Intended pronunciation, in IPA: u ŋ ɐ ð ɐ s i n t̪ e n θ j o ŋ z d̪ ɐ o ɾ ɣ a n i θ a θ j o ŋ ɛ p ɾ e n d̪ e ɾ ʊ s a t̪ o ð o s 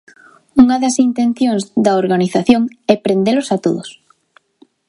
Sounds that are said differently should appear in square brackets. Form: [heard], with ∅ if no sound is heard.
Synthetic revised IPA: u ŋ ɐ ð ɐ s i n t̪ e n θ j o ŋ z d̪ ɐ o ɾ ɣ a n i θ a θ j o ŋ ɛ p ɾ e n d̪ e [l] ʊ s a t̪ o ð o s